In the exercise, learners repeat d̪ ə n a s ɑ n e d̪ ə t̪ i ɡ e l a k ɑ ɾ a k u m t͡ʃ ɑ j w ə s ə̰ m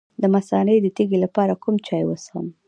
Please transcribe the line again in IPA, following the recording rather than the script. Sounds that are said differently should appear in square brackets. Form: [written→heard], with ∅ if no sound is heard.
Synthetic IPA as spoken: d̪ ə [n→m] a s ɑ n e d̪ ə t̪ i ɡ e l a [k→p] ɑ ɾ a k u m t͡ʃ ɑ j w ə s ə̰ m